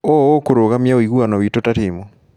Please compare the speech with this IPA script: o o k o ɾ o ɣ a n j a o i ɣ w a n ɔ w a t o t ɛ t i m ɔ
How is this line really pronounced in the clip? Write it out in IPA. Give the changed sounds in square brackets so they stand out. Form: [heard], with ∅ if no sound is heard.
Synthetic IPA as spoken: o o k o ɾ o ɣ a [m] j a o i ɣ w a n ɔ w [i] t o t [a] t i m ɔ